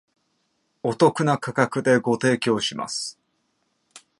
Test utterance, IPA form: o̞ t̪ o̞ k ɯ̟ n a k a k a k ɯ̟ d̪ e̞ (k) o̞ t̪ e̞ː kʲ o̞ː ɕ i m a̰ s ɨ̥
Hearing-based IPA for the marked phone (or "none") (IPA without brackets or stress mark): ɡ